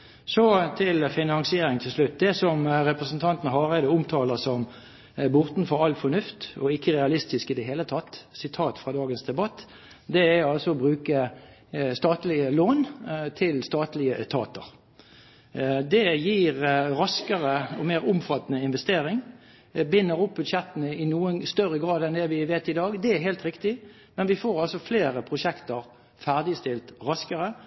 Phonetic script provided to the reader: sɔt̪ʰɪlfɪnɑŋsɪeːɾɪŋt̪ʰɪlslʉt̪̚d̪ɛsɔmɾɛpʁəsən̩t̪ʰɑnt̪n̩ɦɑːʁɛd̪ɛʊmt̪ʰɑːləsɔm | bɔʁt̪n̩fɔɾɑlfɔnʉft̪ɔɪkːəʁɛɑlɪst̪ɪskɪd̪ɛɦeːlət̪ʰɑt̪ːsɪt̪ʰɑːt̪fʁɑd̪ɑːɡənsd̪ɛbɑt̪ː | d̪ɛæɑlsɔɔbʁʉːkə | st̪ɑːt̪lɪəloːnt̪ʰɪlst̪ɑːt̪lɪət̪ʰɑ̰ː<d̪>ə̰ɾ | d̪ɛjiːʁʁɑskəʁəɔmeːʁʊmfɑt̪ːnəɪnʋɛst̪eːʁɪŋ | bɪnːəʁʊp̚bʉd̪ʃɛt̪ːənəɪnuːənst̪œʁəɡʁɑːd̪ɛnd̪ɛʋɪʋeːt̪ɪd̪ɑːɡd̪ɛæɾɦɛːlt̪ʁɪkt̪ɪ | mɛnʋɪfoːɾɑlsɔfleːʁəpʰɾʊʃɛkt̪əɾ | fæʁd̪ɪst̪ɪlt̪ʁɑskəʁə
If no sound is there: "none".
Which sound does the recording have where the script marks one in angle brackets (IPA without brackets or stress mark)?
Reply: t̪